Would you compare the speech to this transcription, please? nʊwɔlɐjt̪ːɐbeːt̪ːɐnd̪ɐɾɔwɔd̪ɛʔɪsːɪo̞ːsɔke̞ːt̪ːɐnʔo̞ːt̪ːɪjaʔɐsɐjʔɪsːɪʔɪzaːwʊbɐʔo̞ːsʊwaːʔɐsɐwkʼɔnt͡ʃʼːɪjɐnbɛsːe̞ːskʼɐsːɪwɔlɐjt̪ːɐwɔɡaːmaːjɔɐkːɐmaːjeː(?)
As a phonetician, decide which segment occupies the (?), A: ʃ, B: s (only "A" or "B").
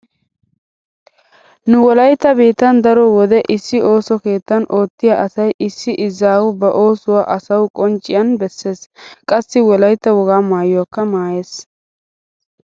B